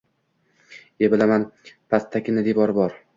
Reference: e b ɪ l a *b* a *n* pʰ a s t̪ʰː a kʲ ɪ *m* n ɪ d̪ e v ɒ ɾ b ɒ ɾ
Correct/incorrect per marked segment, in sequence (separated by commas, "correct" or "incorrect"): incorrect, correct, incorrect